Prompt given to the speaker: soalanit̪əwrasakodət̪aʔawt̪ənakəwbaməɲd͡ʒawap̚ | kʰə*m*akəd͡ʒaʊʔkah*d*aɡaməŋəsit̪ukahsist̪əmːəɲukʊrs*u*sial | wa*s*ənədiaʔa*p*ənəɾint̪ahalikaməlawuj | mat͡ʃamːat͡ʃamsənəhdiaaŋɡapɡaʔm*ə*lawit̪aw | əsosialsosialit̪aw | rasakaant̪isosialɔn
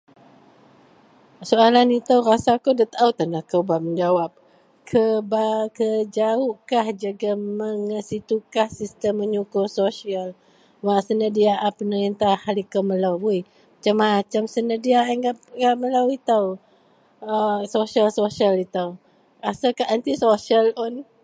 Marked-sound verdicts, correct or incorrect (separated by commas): incorrect, incorrect, incorrect, correct, correct, correct